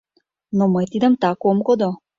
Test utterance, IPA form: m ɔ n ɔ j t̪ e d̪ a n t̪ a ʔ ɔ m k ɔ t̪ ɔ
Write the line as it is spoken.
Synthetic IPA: n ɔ m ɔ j t̪ i d̪ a m t̪ a k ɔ m k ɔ d̪ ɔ